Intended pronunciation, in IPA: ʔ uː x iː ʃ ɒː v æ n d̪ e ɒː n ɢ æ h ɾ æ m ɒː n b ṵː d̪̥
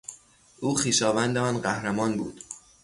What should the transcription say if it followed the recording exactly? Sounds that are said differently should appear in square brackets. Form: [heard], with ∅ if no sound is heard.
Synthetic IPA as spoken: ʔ uː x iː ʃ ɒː v æ n d̪ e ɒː n ɢ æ h ɾ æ m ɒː n b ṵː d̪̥